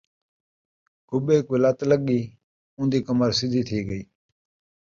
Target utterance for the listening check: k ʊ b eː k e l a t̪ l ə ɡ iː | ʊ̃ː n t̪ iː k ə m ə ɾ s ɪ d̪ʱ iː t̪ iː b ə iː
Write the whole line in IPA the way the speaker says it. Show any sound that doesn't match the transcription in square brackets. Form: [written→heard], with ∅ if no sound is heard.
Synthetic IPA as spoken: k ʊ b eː k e l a t̪ l ə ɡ iː | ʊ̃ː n [t̪→d̪] iː k ə m ə ɾ s ɪ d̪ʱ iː [t̪→t̪ʰ] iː [b→ɡ] ə iː